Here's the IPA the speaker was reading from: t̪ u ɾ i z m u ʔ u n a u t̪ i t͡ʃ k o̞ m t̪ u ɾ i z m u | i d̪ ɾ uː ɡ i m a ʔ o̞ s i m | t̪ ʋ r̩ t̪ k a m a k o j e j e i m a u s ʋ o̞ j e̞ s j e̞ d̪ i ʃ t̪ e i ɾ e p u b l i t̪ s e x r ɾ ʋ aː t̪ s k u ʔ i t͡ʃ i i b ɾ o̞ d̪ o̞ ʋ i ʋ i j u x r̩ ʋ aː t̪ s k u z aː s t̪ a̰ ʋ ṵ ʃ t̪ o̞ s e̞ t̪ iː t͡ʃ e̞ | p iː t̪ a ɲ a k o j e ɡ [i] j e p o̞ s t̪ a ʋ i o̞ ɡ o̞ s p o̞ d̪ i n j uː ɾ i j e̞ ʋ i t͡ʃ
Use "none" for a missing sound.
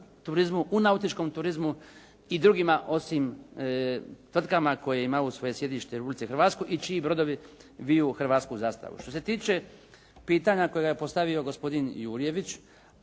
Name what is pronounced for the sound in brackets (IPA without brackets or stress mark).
a